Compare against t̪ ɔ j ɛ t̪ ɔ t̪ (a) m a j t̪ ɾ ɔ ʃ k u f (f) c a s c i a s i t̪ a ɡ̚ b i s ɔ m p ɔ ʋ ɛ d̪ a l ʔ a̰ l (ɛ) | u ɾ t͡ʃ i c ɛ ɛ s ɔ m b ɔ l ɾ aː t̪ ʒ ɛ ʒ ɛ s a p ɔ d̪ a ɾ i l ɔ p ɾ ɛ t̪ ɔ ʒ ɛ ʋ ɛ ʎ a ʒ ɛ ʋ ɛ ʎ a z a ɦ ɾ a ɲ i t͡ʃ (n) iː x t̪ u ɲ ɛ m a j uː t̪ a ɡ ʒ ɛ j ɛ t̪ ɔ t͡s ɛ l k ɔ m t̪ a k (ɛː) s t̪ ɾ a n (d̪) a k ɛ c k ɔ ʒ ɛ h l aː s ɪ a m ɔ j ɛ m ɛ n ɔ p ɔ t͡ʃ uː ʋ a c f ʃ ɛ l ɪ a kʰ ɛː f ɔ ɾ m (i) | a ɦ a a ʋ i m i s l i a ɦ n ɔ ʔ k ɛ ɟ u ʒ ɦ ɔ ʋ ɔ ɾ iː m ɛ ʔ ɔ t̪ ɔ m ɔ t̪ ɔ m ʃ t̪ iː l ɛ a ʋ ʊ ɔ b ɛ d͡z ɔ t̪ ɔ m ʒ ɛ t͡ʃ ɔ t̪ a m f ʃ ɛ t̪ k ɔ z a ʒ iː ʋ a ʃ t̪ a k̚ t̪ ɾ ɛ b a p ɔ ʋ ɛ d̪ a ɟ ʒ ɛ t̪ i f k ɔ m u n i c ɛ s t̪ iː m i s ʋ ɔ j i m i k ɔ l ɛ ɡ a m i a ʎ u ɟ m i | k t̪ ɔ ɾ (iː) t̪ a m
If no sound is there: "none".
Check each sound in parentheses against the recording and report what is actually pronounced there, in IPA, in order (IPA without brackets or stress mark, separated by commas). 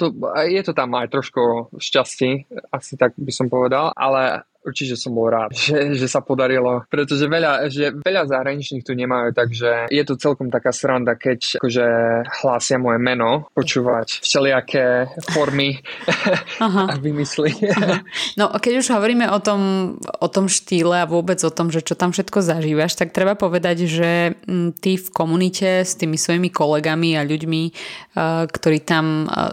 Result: a, ʃ, ɛ, ɲ, aː, d̪, i, iː